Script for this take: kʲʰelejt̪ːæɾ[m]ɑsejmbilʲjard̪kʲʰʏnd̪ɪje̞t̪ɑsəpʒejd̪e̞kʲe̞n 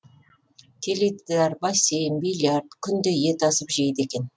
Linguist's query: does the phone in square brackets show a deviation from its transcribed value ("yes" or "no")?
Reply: yes